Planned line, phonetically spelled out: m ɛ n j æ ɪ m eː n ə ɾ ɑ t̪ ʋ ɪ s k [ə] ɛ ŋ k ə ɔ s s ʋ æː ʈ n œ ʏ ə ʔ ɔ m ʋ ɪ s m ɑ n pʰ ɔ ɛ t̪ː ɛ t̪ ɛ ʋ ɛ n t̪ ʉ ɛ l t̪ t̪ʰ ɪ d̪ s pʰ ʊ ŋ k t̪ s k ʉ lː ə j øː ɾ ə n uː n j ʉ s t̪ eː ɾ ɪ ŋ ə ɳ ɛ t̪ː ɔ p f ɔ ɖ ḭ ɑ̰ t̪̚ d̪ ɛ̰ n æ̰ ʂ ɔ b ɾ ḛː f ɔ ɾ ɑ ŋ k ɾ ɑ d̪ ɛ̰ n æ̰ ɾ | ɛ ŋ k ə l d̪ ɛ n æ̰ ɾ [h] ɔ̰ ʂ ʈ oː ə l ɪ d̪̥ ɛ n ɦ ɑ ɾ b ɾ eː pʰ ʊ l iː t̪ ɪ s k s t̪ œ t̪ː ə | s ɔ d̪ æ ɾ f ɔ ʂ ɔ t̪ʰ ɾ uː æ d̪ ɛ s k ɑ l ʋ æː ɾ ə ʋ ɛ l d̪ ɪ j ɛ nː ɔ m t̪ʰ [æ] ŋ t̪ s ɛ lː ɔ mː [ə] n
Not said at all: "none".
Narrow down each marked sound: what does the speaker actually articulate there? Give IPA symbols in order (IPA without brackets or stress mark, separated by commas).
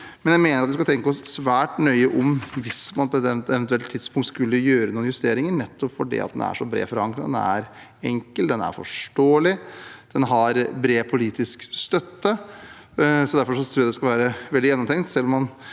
ɑ, f, ɛ, ɑ